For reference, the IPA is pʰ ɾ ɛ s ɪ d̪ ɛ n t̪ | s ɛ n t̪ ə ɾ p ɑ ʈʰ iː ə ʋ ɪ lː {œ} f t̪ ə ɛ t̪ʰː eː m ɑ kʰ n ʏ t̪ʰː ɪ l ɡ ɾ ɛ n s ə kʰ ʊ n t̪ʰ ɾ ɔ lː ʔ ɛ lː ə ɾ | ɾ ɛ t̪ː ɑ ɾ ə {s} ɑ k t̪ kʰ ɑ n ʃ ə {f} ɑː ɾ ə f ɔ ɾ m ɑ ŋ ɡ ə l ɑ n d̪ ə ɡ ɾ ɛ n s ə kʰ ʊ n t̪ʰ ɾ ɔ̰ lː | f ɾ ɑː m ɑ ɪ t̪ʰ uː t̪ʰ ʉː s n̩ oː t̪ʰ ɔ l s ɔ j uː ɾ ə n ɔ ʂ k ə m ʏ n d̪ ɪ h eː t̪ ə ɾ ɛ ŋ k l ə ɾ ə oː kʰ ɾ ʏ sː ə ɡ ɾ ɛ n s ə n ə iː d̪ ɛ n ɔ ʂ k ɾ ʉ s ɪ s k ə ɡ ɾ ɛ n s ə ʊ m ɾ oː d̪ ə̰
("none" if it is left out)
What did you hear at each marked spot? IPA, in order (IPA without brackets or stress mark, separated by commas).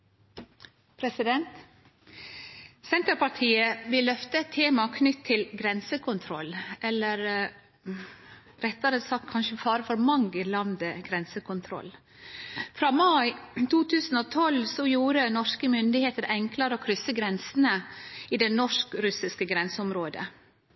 œ, s, f